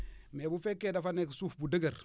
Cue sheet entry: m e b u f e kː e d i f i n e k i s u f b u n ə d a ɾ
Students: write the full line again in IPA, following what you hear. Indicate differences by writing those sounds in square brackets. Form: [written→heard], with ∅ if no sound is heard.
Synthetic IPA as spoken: m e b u f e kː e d [i→a] f [i→a] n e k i s u f b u [n→d] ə [d→ɡ] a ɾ